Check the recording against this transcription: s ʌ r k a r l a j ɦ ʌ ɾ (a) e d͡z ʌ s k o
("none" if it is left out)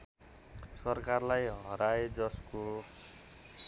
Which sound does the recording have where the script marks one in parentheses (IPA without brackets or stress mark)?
a